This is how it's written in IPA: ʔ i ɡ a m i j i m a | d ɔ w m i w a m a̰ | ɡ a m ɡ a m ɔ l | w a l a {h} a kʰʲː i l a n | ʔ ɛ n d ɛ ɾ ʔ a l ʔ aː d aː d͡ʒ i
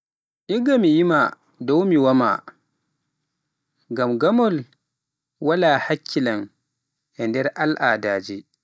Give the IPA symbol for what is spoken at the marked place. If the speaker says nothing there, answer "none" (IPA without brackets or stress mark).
h